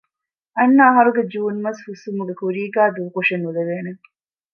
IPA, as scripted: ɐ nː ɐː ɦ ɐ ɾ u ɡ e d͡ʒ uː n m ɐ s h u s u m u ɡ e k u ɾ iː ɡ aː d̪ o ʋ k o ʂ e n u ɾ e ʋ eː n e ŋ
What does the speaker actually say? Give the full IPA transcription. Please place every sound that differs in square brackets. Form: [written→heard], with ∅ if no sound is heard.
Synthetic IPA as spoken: ɐ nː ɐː ɦ ɐ ɾ u ɡ e d͡ʒ uː n m ɐ s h u s u m u ɡ e k u ɾ iː ɡ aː d̪ [o→u] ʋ k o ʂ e n u [ɾ→l] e ʋ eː n e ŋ